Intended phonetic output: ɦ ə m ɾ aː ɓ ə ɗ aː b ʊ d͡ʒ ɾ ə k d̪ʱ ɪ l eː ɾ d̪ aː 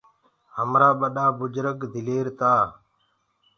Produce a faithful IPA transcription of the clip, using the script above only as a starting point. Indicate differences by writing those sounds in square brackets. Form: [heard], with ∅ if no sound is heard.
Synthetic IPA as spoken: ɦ ə m ɾ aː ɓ ə ɗ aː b ʊ d͡ʒ ɾ ə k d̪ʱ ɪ l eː ɾ [t̪] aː